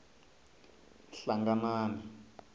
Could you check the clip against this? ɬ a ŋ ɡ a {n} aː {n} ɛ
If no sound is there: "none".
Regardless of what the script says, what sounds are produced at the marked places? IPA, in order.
n, n

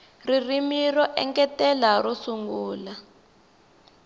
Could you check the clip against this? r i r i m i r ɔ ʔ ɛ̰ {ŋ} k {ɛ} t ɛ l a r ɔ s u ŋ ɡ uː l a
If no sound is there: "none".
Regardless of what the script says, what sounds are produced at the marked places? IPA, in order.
ŋ, ɛ

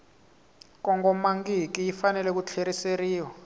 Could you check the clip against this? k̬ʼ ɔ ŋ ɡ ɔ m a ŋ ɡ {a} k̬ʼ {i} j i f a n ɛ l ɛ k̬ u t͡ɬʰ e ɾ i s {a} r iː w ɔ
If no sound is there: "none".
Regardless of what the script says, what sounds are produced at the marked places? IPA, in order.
i, i, e

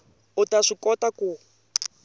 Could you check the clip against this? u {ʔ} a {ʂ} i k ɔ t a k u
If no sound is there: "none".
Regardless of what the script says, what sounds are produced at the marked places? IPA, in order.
t, ʂ

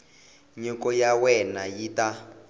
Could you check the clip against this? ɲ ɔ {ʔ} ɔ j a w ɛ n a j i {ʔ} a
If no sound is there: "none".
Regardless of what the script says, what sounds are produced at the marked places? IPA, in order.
k, t

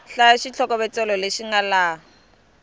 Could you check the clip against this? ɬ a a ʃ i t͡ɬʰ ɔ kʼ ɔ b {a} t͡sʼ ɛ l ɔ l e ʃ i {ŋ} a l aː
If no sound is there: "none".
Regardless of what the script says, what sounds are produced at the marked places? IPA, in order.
ɛ, ŋ

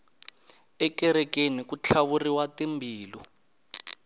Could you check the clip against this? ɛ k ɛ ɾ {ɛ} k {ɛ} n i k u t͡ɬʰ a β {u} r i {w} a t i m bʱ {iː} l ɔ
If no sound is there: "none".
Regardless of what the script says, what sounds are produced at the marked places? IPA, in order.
ɛ, e, u, w, iː

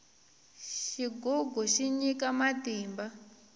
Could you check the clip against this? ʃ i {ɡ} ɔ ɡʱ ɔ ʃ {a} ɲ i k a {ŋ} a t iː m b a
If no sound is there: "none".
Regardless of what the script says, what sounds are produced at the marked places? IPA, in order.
ɡ, i, m

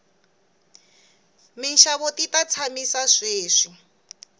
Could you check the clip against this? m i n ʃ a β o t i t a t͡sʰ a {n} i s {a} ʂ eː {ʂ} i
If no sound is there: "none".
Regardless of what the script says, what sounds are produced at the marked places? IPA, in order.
m, a, ʂ

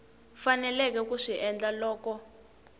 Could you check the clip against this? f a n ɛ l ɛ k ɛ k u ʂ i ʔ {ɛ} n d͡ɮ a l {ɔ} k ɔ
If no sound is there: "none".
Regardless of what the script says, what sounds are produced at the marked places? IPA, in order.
ɛ, ɔː

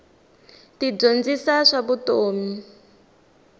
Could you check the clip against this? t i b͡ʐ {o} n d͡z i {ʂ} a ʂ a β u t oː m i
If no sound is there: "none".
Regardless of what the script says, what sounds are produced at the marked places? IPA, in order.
o, s

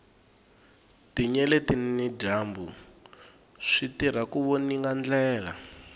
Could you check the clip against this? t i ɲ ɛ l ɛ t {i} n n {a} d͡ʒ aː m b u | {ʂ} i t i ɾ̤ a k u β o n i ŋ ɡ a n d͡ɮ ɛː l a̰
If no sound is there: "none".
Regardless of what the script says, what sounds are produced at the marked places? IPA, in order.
i, i, ʂ

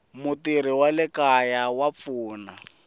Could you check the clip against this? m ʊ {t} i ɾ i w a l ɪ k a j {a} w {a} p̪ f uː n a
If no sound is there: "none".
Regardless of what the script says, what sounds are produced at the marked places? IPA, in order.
t, a, a

